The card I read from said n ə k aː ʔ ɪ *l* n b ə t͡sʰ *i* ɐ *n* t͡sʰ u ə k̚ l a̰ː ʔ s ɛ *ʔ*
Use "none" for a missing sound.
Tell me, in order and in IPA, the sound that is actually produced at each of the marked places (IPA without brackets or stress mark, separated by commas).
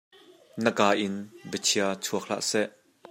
none, i, none, ʔ